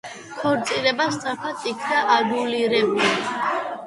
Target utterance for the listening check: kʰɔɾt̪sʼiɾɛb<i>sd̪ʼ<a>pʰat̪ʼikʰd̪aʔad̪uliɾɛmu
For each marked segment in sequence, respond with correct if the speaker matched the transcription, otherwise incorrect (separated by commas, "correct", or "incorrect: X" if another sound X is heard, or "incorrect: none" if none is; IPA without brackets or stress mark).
incorrect: a, correct